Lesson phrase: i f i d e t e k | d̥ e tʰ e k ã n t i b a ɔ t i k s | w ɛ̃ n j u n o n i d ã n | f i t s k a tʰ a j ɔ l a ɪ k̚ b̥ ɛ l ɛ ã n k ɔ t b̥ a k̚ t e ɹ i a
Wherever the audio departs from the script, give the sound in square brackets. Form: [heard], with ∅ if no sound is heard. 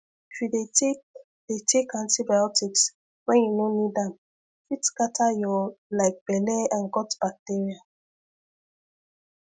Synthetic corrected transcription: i f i d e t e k | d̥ e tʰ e k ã n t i b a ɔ t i k s | w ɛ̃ n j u n o n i d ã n | f i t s k a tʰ a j ɔ l a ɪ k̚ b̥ ɛ l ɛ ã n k ɔ t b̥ a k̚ t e ɹ i a